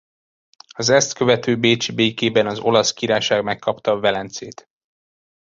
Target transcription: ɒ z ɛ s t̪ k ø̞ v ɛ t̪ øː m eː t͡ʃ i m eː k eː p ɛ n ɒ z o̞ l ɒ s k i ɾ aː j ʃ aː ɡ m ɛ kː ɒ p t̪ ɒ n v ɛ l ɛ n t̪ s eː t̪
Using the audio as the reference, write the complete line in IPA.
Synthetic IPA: ɒ z ɛ s t̪ k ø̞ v ɛ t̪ øː b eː t͡ʃ i b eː k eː b ɛ n ɒ z o̞ l ɒ s k i ɾ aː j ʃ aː ɡ m ɛ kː ɒ p t̪ ɒ v ɛ l ɛ n t̪ s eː t̪